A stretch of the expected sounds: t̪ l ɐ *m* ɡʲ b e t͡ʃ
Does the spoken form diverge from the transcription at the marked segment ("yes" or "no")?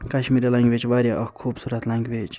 yes